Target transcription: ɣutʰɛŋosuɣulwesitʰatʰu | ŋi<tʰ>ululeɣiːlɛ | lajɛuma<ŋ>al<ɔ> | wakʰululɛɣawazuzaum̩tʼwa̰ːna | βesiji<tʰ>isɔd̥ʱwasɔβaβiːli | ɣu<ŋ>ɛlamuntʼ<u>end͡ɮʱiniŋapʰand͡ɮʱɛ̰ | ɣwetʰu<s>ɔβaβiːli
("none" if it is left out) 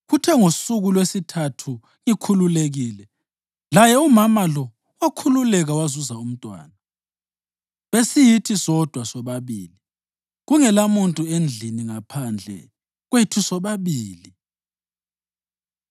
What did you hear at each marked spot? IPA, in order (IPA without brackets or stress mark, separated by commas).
kʰ, m, ɔ, tʰ, ŋ, u, s